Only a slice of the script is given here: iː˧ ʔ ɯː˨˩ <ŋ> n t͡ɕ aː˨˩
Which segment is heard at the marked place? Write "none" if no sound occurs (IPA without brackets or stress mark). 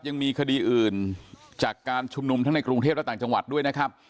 none